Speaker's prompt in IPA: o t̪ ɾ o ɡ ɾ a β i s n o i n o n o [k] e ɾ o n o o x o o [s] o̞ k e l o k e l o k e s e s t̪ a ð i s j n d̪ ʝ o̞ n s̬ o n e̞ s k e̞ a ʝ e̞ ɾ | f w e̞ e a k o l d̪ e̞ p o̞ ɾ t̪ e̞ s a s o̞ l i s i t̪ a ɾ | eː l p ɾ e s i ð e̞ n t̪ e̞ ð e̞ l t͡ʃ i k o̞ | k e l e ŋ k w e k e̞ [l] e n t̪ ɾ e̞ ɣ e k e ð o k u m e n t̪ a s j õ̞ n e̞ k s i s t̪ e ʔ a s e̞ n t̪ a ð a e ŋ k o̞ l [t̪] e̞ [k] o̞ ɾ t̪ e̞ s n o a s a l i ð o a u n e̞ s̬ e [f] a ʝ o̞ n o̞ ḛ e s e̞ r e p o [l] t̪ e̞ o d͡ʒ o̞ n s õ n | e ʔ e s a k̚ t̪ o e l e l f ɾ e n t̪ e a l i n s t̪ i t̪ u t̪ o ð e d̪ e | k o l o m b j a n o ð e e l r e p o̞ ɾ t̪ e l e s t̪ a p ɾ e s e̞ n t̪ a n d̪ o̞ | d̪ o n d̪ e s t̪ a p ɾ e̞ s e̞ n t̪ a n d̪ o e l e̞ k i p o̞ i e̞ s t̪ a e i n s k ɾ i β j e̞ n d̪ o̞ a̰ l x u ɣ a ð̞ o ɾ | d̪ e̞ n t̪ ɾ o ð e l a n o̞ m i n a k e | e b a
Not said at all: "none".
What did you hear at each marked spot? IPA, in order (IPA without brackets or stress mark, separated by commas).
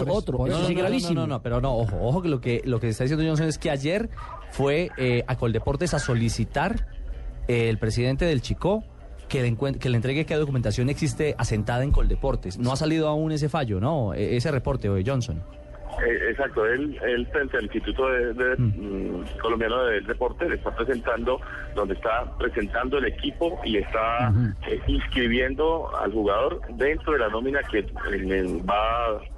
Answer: p, x, l, d̪, p, f, ɾ